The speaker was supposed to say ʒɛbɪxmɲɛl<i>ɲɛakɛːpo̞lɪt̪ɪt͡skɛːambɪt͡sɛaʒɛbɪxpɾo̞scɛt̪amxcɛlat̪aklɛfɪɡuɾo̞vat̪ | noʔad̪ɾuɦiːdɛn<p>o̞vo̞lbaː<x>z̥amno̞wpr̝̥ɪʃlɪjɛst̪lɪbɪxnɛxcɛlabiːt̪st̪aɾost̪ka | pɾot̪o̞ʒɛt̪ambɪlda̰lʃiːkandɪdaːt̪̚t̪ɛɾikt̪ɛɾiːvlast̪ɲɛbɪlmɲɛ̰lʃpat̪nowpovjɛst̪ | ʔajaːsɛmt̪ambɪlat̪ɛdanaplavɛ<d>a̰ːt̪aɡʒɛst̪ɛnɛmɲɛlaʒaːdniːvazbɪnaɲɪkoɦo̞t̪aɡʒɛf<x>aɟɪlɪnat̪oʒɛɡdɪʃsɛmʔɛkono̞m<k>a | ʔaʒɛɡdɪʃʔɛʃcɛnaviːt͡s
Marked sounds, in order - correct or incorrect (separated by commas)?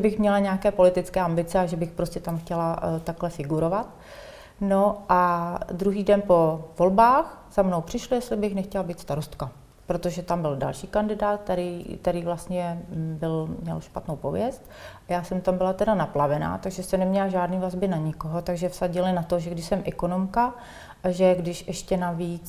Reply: incorrect, correct, correct, incorrect, incorrect, correct